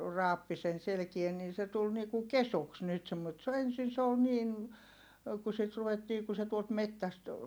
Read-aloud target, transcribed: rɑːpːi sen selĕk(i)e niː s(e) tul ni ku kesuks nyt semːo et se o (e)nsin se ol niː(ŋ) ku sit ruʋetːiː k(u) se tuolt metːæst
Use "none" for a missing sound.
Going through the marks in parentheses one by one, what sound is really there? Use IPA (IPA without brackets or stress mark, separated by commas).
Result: i, e, e, n, u